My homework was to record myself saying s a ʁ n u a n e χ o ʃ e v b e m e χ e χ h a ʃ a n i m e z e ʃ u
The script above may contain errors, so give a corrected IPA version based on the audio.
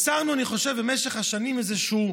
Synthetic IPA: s a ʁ n u a n i χ o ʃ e v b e m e ʃ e χ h a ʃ a n i m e z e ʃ u

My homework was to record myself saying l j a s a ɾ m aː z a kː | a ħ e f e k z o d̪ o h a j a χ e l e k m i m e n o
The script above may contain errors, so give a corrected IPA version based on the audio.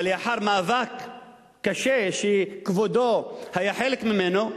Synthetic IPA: l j a ħ a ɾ m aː v a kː | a ʃ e ʃ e k v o d̪ o h a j a ħ e l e k m i m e n o

